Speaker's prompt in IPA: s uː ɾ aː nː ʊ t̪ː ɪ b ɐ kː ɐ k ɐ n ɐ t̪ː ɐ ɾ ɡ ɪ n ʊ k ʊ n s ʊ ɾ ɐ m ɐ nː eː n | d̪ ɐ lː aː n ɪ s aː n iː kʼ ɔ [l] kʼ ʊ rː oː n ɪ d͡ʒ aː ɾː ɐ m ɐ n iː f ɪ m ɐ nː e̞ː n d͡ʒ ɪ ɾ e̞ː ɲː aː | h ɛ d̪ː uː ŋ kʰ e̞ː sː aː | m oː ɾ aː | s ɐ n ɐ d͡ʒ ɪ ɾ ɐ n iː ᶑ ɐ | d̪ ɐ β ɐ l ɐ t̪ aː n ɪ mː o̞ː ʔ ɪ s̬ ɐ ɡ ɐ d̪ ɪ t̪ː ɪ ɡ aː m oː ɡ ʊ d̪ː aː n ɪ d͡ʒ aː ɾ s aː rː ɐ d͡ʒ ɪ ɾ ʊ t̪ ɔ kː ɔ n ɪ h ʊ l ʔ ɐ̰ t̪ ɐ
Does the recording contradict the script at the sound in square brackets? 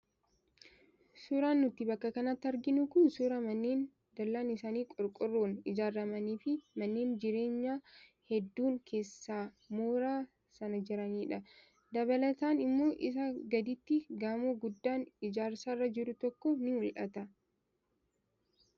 yes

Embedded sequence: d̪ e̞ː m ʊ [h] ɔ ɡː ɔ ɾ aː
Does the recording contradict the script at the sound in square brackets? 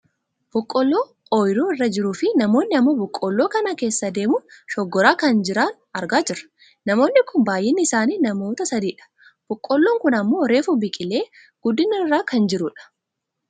yes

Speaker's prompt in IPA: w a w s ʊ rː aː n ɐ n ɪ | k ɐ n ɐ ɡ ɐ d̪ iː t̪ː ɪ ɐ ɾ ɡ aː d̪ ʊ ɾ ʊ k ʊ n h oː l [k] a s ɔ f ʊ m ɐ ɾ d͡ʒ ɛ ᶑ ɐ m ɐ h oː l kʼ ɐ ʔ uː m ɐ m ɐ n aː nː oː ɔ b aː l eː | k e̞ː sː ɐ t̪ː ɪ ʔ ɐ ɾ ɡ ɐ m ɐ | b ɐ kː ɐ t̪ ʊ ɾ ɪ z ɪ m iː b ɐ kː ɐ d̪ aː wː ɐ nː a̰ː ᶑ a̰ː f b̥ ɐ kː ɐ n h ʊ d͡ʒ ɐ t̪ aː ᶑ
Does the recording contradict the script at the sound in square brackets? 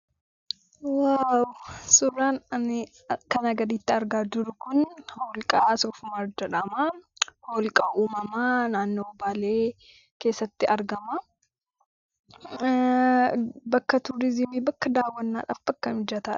yes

